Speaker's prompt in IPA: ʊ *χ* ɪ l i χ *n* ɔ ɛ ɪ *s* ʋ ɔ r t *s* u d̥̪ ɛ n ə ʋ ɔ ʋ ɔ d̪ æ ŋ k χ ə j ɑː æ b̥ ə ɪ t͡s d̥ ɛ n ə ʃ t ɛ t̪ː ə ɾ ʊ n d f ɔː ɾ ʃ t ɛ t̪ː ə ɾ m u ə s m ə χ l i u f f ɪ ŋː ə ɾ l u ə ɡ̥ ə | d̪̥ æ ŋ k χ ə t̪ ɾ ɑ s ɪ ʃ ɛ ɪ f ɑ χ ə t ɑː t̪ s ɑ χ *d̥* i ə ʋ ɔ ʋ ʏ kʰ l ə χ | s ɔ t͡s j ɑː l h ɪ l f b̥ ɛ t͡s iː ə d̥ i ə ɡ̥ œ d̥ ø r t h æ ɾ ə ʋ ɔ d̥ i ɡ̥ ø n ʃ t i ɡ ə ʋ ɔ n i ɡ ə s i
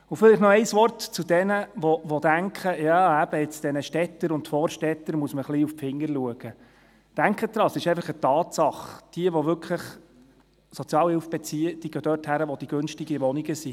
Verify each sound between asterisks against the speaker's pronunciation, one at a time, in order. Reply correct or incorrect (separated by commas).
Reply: incorrect, correct, correct, incorrect, correct